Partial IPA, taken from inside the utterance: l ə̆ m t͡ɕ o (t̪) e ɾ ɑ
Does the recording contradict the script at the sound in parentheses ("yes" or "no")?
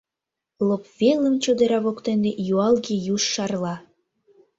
yes